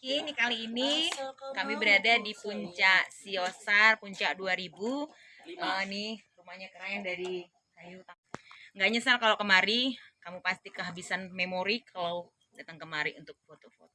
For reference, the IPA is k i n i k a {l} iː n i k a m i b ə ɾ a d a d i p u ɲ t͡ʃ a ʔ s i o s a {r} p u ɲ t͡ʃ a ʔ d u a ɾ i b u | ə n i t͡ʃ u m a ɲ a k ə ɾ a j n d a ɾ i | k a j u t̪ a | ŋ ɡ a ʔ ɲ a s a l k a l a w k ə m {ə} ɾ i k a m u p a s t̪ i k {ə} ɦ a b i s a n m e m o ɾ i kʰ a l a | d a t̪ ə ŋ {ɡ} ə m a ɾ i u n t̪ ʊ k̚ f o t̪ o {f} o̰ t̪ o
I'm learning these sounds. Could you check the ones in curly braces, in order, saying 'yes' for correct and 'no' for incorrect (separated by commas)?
yes, yes, no, yes, no, yes